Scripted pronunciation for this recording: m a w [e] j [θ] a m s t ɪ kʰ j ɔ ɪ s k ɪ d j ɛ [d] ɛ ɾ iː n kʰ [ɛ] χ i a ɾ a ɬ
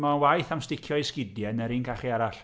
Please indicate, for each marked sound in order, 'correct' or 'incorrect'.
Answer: incorrect: a, correct, incorrect: n, incorrect: a

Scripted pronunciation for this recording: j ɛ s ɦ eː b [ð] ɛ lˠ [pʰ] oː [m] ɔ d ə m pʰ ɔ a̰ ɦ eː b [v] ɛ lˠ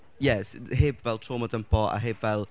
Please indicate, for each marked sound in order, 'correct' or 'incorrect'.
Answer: incorrect: v, incorrect: tʰ, correct, correct

